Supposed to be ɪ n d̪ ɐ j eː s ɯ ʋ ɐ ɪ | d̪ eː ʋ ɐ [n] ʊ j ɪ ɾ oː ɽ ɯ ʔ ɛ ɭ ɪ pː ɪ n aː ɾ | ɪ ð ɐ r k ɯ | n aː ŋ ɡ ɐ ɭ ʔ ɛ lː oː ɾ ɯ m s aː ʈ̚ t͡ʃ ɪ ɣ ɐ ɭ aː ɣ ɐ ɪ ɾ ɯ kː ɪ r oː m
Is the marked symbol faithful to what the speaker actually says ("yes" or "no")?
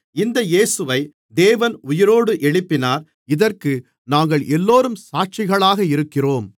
yes